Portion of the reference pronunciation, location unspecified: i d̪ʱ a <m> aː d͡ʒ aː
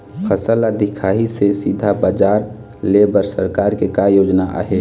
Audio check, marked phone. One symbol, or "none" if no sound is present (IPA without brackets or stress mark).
b